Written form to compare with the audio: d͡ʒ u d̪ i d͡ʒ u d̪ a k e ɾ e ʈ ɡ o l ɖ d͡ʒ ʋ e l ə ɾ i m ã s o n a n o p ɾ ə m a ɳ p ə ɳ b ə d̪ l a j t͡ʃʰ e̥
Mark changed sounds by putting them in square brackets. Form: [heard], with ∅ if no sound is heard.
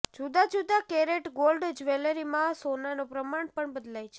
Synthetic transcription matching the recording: d͡ʒ u d̪ [a] d͡ʒ u d̪ a k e ɾ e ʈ ɡ o l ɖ d͡ʒ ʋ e l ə ɾ i m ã s o n a n o p ɾ ə m a ɳ p ə ɳ b ə d̪ l a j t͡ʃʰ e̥